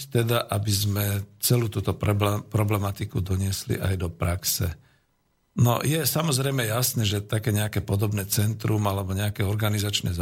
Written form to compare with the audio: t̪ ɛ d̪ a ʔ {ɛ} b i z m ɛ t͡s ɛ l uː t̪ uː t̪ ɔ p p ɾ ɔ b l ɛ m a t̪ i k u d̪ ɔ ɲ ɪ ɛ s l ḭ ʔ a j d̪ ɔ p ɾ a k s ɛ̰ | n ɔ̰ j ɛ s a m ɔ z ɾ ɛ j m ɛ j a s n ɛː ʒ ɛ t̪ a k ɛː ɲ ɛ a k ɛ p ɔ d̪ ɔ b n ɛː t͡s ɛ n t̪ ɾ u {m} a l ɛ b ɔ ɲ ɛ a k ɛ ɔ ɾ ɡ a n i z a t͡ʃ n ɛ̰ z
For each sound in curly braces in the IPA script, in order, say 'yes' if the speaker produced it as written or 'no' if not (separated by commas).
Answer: no, yes